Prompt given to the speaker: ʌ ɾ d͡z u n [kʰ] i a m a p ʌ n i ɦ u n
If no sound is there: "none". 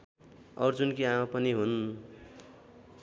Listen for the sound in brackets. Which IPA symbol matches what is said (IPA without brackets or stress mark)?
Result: k